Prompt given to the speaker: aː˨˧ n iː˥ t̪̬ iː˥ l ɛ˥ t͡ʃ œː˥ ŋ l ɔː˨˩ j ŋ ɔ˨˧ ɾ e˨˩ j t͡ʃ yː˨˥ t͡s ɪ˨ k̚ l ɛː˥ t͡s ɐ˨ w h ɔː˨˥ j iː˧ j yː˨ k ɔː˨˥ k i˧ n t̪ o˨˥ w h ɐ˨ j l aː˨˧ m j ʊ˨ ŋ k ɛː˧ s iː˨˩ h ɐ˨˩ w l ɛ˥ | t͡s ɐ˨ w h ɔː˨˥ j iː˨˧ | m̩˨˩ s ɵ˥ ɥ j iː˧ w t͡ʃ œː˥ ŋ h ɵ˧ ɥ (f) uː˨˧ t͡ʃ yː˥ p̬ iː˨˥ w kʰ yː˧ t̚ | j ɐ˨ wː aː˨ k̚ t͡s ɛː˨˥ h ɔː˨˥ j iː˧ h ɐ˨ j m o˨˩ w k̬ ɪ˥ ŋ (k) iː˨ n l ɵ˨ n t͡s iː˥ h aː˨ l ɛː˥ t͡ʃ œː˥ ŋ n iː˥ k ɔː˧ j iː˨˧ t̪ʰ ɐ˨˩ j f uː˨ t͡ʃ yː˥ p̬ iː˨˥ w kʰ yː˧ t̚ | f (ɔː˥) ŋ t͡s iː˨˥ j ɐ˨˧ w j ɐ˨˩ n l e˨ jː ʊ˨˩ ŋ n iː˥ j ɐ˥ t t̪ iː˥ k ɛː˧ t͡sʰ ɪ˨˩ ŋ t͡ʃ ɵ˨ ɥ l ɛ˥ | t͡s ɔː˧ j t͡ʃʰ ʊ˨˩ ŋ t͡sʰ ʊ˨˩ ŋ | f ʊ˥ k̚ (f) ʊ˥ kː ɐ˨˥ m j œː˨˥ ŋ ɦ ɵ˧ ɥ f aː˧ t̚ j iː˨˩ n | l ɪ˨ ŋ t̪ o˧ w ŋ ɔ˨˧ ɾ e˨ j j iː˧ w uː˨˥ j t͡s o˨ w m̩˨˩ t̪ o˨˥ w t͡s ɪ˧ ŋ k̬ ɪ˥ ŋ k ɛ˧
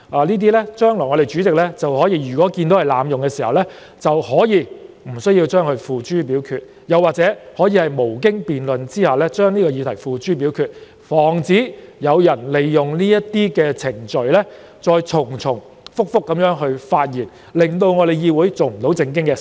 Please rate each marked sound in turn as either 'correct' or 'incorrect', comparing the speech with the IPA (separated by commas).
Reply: correct, incorrect, incorrect, correct